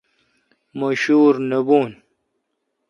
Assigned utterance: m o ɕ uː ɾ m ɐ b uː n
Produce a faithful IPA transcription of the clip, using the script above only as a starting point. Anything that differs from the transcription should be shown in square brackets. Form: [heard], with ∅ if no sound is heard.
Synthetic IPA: m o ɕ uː ɾ [n] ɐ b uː n